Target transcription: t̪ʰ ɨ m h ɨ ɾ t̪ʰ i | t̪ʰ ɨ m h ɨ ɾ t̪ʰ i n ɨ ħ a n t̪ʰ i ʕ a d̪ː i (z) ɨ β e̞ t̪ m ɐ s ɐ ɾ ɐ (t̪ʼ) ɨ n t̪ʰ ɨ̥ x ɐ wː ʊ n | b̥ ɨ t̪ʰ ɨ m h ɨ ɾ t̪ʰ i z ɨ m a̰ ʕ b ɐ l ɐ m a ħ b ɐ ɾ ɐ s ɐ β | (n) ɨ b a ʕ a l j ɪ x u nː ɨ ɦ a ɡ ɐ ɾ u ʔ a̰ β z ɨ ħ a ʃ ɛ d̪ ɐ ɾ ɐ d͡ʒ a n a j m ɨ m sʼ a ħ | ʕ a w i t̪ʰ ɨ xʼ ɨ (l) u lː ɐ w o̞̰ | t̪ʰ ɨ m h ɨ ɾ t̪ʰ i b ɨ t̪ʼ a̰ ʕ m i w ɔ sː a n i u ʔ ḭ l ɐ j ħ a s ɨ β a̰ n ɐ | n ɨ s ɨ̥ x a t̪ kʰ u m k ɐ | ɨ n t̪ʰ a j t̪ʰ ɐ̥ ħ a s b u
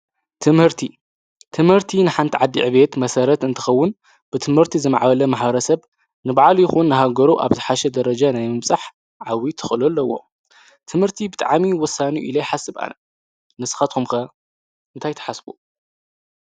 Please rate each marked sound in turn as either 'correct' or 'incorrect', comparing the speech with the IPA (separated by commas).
incorrect, incorrect, correct, correct